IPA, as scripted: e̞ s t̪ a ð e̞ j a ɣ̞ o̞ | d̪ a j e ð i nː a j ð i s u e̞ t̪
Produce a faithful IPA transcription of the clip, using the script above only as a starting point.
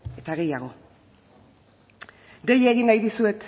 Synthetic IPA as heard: e̞ t̪ a ɣ e̞ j a ɣ̞ o̞ | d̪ e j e ɣ i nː a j ð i s u e̞ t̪